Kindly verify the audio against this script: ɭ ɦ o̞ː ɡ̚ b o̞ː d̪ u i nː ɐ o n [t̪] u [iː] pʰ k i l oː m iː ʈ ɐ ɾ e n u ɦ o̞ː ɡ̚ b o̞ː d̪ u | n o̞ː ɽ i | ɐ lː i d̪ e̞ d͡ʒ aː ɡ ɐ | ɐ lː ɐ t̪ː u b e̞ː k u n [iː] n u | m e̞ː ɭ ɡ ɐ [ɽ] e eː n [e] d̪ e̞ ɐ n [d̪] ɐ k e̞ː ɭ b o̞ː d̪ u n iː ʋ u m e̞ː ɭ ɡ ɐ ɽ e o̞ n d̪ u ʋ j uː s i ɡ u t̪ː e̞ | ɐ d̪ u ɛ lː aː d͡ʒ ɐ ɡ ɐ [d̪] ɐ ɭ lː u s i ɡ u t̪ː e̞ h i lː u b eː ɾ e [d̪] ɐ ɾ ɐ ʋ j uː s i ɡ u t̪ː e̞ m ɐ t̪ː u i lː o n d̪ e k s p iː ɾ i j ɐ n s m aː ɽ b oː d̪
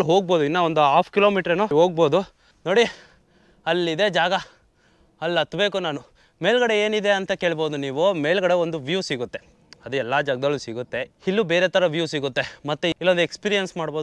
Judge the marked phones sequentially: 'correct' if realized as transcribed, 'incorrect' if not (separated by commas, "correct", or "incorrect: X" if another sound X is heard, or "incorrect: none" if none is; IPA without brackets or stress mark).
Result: incorrect: d̪, incorrect: aː, incorrect: aː, correct, incorrect: i, incorrect: t̪, correct, incorrect: t̪